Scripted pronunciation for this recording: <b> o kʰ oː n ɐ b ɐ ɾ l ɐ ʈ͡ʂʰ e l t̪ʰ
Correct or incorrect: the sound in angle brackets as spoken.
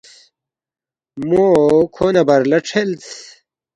incorrect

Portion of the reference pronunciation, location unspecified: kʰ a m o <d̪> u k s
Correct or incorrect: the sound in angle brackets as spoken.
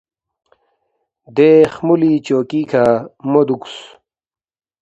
correct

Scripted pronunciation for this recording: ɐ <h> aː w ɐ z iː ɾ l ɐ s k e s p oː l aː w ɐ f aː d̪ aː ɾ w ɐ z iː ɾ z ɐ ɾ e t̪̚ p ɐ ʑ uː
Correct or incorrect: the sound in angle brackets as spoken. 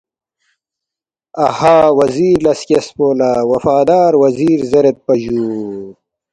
correct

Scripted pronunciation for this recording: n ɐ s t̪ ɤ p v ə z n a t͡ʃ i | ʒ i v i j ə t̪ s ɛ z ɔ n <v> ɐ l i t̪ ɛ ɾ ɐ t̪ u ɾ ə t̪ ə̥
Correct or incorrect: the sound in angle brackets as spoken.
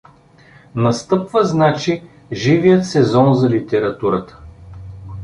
incorrect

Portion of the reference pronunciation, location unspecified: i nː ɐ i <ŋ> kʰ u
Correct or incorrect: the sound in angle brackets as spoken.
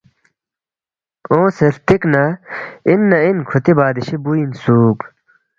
incorrect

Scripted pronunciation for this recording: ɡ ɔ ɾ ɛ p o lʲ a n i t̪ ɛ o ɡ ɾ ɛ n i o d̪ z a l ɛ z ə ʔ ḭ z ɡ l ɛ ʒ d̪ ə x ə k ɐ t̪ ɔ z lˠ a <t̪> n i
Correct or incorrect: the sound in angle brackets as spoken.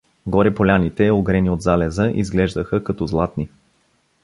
correct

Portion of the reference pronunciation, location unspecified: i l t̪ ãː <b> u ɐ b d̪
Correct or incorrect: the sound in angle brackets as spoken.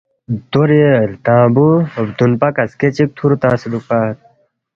correct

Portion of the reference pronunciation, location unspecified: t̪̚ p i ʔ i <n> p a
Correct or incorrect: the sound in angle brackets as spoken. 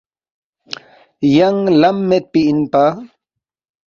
correct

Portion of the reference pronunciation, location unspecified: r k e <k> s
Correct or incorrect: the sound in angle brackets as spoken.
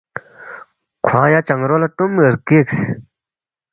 correct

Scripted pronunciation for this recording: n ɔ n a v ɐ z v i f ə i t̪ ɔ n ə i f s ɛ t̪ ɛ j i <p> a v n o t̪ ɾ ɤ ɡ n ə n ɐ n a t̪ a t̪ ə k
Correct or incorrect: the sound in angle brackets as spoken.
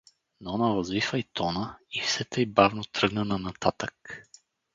incorrect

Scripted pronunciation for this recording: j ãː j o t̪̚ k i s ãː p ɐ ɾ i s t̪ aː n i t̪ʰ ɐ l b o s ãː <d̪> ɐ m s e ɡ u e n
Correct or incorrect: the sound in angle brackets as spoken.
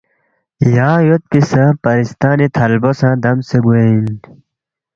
correct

